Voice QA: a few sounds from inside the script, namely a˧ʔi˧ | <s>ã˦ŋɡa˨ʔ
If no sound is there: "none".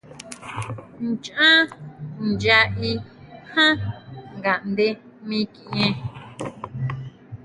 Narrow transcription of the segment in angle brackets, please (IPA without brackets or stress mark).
h